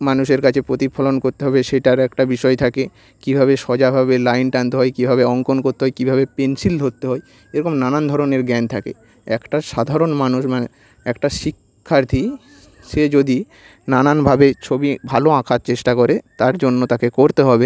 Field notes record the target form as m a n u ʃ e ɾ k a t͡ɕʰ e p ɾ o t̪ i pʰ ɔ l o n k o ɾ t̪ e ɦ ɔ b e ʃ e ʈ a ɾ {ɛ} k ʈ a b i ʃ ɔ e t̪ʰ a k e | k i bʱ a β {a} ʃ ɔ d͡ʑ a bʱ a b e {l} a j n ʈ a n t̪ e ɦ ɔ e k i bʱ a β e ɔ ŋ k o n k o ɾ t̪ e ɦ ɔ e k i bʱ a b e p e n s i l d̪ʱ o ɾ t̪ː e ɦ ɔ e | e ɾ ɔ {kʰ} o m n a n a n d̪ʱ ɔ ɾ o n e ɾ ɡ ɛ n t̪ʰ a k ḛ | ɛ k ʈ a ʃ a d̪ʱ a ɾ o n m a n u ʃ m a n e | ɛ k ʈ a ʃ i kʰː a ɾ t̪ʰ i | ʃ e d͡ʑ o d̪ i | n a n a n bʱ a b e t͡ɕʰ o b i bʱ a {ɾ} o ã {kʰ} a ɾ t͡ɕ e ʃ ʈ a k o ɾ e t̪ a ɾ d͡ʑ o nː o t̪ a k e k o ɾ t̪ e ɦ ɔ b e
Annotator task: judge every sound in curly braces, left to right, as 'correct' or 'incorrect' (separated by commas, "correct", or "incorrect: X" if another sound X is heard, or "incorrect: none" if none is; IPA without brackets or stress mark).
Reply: correct, incorrect: e, correct, incorrect: k, incorrect: l, correct